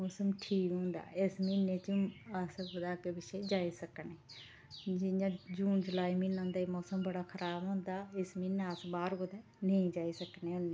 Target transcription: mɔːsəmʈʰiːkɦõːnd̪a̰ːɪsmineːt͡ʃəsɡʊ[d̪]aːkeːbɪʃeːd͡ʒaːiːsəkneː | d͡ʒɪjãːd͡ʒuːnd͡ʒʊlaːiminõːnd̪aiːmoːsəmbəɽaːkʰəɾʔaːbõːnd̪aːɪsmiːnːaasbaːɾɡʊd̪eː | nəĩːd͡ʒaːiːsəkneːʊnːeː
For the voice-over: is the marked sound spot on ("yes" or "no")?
yes